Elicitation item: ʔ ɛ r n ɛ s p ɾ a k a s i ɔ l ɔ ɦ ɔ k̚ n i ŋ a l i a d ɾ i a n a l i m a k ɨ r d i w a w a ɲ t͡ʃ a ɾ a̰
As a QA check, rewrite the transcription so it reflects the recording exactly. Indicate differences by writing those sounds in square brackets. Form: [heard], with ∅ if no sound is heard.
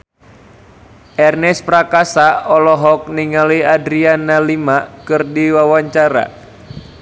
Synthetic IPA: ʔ ɛ r n ɛ s p ɾ a k a s [a] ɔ l ɔ ɦ ɔ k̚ n i ŋ a l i a d ɾ i a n a l i m a k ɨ r d i w a w a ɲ t͡ʃ a ɾ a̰